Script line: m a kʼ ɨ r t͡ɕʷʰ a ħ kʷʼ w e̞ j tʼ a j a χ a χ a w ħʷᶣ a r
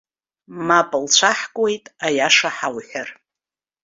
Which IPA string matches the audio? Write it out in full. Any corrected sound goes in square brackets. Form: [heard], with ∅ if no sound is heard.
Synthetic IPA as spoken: m a [pʼ] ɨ [l] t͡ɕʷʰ a ħ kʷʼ w e̞ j tʼ a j a [ʂ] a [ħ] a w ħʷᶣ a r